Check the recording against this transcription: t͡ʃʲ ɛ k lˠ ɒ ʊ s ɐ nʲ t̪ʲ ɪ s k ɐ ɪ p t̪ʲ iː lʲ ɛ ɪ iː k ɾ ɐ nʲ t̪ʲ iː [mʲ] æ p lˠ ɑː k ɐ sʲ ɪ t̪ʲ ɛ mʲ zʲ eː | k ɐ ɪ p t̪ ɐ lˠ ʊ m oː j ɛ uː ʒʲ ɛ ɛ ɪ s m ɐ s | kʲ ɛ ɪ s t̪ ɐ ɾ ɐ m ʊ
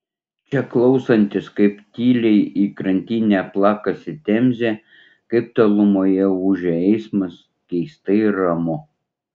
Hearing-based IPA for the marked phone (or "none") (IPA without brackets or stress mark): nʲ